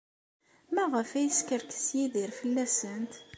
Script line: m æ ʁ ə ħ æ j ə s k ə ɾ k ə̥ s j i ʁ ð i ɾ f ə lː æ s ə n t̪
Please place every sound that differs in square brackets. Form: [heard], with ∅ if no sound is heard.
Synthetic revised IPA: m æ ʁ ə [f] æ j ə s k ə ɾ k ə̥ s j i [∅] ð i ɾ f ə lː æ s ə n t̪